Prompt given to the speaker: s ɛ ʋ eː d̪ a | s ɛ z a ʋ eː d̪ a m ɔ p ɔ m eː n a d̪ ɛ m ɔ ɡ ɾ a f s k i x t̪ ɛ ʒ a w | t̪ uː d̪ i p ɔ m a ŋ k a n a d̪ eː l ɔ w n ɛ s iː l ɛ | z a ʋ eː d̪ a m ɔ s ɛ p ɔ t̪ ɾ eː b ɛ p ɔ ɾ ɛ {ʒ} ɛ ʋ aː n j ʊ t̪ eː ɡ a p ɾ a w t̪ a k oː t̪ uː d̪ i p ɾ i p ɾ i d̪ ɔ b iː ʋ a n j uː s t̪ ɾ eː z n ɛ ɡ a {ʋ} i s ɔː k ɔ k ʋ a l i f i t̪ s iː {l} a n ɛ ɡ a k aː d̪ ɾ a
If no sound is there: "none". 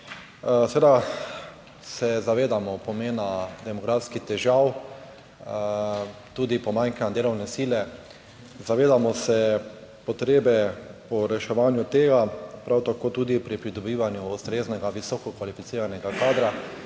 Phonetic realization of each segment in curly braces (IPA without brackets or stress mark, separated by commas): ʃ, ʋ, ɾ